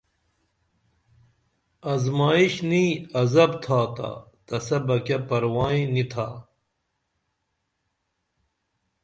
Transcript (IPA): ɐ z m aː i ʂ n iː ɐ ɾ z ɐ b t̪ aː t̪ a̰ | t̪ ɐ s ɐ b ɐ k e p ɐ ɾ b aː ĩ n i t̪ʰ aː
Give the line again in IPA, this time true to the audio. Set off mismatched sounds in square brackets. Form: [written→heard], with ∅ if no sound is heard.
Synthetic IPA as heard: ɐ z m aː i [ʂ→ɕ] n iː ɐ [ɾ→∅] z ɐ b [t̪→t̪ʰ] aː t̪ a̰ | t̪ ɐ s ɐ b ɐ k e p ɐ ɾ [b→w] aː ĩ n i t̪ʰ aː